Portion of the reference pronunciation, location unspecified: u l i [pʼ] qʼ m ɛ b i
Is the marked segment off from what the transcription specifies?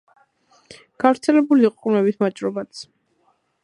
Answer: yes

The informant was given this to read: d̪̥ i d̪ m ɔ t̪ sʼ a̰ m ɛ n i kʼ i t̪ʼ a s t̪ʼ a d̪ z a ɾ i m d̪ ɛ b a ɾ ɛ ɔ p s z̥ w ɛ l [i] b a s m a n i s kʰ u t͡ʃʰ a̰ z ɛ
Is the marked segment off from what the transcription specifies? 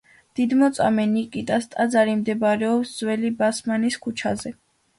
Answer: no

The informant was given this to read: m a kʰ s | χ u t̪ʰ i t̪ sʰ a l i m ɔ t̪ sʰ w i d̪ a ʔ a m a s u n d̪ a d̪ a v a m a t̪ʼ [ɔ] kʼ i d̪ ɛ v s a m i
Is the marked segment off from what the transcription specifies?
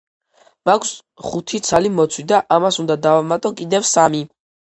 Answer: no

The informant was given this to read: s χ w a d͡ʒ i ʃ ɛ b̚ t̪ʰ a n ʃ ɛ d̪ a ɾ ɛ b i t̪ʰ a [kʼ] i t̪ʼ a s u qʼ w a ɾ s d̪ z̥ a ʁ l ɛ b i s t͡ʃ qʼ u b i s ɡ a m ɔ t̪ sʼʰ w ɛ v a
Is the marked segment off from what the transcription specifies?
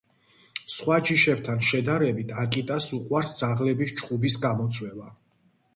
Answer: no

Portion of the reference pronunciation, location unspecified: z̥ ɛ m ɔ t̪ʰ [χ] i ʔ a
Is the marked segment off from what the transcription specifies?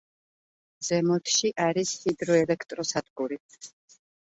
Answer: yes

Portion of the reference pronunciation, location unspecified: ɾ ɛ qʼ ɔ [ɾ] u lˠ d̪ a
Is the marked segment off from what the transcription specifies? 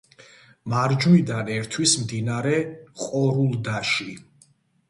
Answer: no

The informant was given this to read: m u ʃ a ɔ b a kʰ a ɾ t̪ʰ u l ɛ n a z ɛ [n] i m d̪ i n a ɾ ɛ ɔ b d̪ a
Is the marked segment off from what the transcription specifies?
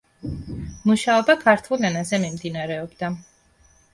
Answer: yes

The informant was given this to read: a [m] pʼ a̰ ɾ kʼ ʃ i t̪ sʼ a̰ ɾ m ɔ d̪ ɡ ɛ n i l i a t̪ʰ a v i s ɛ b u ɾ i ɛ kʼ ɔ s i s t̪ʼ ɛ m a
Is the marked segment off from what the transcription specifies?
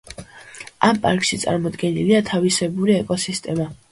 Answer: no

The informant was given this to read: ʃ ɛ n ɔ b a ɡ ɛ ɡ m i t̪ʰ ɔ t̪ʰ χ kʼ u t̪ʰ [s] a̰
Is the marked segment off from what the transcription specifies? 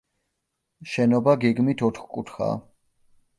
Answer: yes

